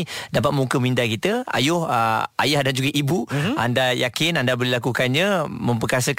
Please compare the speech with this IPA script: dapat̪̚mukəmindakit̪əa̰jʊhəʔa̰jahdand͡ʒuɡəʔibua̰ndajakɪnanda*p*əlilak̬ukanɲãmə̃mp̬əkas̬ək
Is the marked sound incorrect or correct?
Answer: incorrect